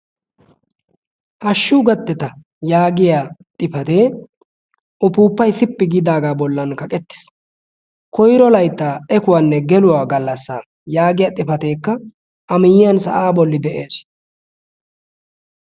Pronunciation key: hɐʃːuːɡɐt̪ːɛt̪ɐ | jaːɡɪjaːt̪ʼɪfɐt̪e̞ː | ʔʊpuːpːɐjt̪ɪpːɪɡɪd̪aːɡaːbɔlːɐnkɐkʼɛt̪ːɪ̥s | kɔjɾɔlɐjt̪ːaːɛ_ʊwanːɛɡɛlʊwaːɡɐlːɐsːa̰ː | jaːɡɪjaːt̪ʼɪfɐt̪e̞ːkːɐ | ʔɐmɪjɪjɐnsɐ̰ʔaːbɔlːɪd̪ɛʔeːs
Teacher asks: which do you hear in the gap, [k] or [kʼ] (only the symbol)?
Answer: k